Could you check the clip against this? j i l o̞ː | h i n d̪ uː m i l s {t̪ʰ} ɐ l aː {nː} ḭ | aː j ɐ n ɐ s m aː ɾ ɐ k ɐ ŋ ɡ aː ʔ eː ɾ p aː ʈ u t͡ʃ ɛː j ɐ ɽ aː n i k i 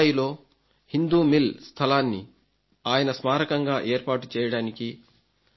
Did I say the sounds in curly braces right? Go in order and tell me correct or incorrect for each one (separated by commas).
correct, correct